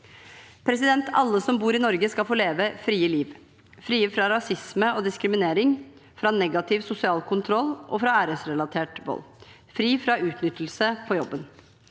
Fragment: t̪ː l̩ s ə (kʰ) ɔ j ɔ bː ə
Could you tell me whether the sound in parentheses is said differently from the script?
yes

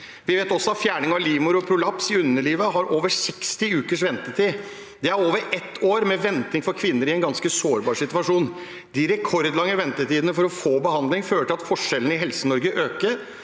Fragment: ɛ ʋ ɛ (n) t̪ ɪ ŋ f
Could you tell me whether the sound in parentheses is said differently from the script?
no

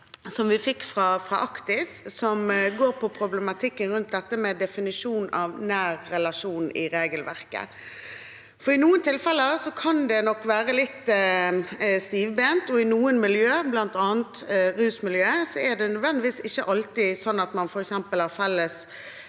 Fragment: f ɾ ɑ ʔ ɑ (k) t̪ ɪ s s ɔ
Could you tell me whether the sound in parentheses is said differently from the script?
no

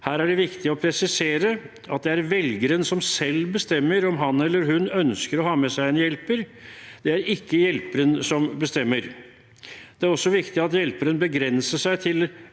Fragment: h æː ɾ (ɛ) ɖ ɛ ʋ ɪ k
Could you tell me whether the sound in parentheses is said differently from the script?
yes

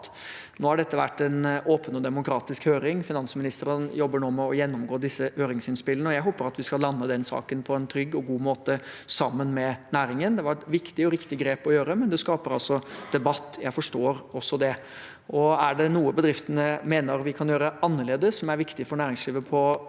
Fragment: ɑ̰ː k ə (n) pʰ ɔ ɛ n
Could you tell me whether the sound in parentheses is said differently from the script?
no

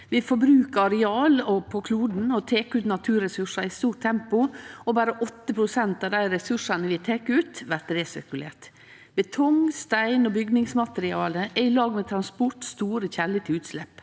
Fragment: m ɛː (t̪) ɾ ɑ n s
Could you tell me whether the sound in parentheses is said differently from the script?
yes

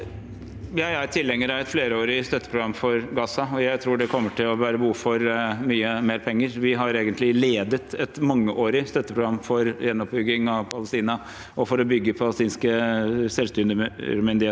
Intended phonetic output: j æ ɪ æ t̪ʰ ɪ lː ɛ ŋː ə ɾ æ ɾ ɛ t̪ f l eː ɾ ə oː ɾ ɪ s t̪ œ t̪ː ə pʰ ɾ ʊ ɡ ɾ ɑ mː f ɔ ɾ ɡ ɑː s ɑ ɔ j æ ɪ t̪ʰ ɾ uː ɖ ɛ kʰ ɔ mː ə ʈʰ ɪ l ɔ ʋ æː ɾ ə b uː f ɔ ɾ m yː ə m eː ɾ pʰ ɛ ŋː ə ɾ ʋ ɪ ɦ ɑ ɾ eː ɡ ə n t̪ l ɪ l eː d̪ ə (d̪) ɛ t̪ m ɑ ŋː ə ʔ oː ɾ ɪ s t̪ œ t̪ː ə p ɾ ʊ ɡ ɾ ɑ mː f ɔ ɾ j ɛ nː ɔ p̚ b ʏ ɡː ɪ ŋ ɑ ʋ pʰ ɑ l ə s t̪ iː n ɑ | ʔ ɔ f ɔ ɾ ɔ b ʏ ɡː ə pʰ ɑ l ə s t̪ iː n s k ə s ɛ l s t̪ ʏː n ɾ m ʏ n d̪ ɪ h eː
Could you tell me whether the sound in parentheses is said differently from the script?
yes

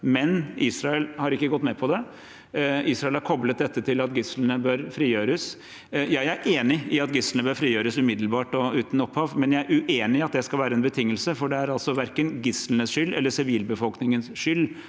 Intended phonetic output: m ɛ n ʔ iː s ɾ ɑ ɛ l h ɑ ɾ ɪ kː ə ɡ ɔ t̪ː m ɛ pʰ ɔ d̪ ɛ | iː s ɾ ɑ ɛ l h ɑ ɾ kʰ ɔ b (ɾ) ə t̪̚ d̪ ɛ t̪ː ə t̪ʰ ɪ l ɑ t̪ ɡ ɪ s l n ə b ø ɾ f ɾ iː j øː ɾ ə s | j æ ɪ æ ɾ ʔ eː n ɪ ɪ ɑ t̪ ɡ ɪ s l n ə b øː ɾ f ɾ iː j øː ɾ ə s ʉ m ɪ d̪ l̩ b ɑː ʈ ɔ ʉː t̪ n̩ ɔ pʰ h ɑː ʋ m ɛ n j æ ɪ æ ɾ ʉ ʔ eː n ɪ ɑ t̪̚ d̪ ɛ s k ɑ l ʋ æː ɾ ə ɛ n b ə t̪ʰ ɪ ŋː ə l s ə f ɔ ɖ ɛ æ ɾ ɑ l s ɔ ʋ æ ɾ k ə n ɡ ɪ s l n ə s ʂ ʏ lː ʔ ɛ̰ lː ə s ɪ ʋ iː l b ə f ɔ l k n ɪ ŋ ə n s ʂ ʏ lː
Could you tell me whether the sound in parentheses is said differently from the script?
yes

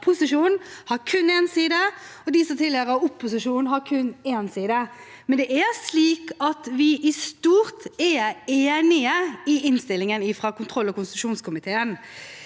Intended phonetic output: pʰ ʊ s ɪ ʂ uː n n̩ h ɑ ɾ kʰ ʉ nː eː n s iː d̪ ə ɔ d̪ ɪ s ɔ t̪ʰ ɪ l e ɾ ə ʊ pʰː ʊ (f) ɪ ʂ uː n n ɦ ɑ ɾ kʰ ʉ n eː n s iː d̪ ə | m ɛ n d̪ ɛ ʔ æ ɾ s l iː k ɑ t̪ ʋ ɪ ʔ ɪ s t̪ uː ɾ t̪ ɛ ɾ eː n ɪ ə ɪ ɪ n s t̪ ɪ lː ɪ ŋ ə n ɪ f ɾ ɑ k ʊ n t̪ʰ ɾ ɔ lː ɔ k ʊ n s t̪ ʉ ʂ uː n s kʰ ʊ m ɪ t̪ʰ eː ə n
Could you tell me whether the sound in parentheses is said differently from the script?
yes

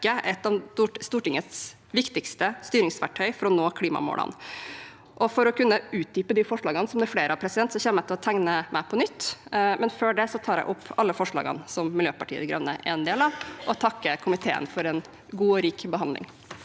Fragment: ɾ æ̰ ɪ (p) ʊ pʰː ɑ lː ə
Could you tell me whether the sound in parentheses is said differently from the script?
yes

